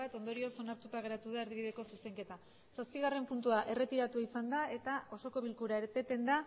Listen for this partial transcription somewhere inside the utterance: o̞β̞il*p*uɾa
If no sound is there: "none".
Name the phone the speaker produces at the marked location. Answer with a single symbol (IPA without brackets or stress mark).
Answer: k